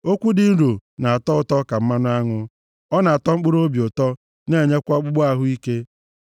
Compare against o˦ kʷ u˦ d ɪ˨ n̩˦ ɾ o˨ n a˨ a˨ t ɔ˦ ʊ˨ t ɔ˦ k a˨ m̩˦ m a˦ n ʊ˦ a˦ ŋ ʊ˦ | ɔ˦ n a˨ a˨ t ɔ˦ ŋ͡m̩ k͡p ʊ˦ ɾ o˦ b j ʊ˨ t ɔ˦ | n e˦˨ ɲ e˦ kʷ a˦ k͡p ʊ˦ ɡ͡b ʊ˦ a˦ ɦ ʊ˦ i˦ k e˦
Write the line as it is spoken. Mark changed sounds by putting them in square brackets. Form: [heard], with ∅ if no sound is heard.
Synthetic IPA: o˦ kʷ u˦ d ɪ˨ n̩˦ ɾ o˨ n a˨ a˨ t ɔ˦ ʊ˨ t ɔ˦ k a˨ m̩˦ m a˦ n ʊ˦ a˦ ŋ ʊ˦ | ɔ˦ n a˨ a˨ t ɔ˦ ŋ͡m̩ k͡p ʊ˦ ɾ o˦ b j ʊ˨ t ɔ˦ | n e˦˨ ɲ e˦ kʷ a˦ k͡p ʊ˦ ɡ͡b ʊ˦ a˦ ɦ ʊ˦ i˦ k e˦

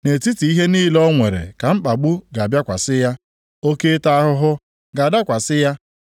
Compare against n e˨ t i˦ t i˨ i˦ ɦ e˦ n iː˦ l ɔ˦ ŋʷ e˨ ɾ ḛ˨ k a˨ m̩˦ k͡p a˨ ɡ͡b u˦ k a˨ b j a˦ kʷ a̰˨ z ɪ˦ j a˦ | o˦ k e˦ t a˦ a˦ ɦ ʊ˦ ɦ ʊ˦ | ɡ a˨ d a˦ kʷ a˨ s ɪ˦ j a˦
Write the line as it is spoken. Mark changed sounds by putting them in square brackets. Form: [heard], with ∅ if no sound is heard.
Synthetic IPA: n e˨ t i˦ t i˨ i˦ ɦ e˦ n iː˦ l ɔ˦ ŋʷ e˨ ɾ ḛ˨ k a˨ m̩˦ k͡p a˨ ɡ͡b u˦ [ɡ] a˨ b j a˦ kʷ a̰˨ [s] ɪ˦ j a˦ | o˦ k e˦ t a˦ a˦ ɦ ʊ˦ ɦ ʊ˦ | ɡ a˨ d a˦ kʷ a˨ s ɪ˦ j a˦

